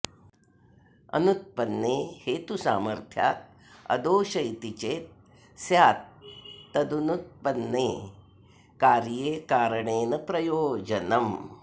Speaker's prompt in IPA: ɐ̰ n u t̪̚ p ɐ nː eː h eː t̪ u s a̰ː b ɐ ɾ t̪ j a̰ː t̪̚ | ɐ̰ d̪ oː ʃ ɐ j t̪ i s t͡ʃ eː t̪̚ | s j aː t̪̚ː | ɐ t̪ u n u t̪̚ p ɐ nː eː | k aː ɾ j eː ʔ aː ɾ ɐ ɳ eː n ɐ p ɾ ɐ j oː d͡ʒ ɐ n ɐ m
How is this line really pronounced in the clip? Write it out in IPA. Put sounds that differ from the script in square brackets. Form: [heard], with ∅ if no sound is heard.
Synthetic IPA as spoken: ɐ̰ n u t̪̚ p ɐ nː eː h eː t̪ u s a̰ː [m] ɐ ɾ [t̪ʰ] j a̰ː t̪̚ | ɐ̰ d̪ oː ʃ ɐ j t̪ i [∅] t͡ʃ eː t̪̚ | s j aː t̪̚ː | ɐ [d̪] u n u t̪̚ p ɐ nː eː | k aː ɾ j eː [k] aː ɾ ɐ ɳ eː n ɐ p ɾ ɐ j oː d͡ʒ ɐ n ɐ m